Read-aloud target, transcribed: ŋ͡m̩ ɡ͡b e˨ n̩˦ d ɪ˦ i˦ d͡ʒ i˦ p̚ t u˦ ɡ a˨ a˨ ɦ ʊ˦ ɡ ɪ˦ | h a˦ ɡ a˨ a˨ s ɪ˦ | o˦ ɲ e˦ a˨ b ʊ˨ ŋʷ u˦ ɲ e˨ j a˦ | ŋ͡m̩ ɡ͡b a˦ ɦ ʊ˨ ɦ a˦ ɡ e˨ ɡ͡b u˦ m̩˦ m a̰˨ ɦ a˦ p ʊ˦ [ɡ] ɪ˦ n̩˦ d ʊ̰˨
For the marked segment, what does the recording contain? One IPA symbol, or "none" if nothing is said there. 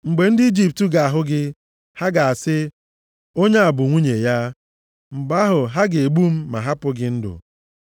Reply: ɡ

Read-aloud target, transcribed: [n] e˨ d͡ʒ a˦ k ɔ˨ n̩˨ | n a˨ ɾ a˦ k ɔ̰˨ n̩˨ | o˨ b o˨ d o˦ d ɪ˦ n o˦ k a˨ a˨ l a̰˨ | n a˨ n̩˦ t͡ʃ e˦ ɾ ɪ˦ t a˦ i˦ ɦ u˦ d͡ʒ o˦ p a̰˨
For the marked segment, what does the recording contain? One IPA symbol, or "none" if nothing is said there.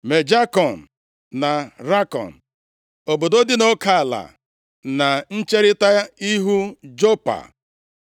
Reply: m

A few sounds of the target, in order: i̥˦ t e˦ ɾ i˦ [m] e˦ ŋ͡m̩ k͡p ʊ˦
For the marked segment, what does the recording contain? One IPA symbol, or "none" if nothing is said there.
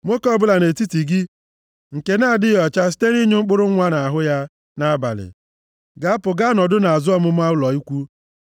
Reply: ɲ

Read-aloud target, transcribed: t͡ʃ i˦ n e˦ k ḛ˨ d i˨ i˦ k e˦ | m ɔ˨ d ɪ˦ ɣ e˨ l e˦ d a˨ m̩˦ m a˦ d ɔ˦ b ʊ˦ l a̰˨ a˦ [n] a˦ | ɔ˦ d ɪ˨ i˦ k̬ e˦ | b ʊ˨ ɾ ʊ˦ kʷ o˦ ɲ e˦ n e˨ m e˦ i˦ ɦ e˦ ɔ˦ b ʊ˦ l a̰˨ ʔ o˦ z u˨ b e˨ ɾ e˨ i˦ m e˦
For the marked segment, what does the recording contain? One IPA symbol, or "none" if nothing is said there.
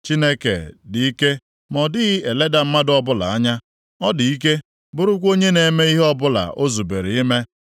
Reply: ɲ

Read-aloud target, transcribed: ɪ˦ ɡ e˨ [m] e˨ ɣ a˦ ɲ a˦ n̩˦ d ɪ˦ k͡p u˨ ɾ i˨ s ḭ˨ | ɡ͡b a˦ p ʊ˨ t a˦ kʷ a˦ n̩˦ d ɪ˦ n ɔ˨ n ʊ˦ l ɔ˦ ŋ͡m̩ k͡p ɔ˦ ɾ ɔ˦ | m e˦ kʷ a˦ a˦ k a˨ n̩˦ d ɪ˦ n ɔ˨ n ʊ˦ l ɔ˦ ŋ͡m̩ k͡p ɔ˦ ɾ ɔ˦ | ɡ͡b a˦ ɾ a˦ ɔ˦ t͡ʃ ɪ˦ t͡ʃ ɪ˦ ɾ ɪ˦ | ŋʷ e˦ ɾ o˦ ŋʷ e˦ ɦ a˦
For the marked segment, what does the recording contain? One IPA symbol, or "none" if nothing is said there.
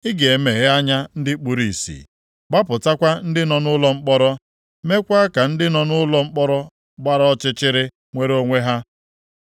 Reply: m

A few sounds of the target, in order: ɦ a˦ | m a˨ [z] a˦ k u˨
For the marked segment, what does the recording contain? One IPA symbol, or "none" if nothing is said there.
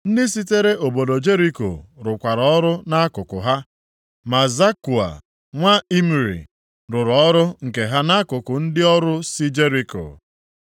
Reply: z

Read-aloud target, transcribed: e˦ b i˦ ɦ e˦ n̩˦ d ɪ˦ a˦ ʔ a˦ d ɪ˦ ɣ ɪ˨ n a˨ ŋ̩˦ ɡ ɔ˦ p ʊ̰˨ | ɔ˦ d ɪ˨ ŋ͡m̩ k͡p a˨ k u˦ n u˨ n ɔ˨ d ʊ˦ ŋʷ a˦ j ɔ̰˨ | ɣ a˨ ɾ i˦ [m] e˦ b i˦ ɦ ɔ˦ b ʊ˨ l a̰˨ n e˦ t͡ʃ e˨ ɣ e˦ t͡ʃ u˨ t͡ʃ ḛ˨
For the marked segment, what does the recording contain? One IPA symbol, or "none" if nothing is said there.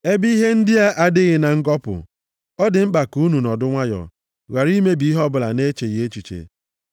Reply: m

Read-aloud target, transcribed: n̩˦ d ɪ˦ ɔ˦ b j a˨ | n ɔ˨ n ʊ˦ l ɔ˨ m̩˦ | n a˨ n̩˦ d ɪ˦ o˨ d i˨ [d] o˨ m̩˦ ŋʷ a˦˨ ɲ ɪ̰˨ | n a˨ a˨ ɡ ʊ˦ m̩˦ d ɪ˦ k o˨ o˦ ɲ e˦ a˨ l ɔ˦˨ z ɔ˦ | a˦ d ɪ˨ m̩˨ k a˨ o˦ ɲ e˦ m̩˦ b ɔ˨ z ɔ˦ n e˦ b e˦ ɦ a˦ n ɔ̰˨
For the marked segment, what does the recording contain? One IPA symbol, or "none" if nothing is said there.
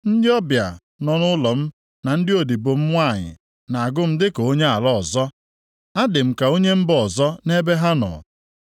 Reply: b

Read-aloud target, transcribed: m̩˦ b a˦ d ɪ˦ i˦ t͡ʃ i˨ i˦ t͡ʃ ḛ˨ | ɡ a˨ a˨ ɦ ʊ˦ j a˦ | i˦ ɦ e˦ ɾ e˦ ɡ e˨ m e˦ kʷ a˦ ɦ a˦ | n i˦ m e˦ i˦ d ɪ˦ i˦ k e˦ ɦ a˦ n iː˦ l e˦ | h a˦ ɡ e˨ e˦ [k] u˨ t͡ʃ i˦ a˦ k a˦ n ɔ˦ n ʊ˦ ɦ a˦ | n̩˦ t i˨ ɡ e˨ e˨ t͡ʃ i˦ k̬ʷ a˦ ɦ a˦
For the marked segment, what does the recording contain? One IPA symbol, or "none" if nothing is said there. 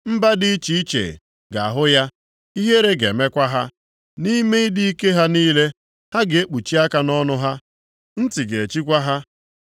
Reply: k͡p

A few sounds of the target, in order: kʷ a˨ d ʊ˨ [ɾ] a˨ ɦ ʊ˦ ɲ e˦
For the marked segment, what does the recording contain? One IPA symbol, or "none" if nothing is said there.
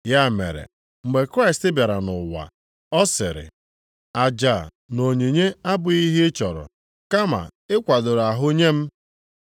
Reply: ɾ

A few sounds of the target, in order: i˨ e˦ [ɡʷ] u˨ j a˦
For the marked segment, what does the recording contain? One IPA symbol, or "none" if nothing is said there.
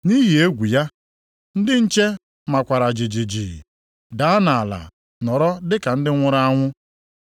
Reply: ɡʷ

